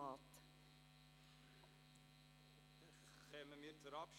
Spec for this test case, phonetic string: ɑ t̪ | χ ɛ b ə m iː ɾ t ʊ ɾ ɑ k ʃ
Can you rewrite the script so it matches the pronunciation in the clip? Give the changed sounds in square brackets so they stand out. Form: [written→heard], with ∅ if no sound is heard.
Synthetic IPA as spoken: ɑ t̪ | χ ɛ [b→m] ə m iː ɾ [t→t͡s] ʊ ɾ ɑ [k→p] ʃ